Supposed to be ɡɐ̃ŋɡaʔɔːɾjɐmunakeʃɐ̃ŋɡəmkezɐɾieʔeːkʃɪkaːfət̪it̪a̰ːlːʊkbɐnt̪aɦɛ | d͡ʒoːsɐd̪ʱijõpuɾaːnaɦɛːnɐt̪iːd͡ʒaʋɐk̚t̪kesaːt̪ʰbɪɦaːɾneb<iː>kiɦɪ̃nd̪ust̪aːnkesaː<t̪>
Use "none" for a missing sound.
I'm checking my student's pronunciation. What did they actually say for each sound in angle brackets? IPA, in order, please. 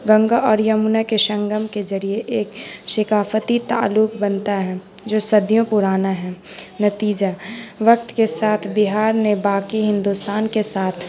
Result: aː, t̪ʰ

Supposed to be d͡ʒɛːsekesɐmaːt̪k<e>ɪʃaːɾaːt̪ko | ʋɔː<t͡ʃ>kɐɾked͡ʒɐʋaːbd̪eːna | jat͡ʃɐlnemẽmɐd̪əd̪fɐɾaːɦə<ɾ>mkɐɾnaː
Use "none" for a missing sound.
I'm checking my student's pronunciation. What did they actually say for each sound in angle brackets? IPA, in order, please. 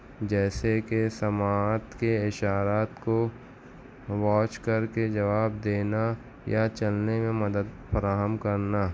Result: e, t͡ʃ, none

